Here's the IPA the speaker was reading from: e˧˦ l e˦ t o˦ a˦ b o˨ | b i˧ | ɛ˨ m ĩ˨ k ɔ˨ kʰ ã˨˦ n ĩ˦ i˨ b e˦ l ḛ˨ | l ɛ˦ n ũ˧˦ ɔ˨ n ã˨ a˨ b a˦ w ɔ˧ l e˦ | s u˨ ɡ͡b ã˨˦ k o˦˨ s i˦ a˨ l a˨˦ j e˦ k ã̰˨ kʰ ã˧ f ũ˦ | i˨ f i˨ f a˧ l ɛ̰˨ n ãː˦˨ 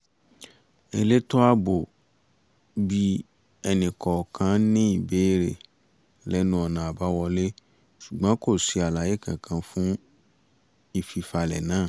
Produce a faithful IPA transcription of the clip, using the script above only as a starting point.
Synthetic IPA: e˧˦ l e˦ t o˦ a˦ b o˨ | b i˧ | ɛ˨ n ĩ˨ k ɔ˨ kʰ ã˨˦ n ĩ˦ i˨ b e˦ ɾ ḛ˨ | l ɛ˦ n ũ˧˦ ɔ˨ n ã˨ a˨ b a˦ w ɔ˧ l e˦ | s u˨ ɡ͡b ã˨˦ k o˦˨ s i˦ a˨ l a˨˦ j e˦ k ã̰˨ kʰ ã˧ f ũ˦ | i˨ f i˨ f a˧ l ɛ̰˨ n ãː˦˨